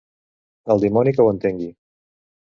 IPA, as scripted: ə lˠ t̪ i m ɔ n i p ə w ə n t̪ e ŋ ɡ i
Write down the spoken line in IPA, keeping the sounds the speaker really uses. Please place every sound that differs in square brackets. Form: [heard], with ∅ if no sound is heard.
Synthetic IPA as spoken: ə lˠ [d̪] i m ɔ n i [k] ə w ə n t̪ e ŋ ɡ i